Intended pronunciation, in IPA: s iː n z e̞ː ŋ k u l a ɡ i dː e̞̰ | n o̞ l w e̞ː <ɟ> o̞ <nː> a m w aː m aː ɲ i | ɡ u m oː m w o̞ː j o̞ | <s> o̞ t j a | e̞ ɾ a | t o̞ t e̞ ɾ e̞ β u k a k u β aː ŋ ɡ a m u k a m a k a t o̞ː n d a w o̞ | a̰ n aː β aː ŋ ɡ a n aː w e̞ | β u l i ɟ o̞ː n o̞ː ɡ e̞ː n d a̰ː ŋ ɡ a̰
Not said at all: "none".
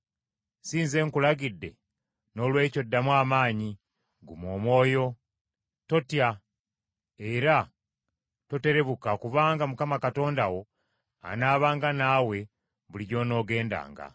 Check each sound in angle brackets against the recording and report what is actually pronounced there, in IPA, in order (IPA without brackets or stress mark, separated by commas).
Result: c, dː, t